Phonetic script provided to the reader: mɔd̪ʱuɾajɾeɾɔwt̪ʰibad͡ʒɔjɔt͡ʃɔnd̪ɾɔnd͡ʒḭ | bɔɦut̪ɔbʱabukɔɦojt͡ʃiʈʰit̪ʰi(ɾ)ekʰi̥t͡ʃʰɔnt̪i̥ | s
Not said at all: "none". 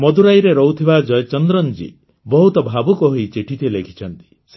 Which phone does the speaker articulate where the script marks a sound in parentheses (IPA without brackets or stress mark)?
l